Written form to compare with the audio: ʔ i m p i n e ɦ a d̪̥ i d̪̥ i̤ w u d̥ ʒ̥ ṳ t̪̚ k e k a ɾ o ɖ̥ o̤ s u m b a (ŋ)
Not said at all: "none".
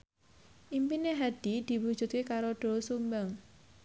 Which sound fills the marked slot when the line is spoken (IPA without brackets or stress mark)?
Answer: ŋ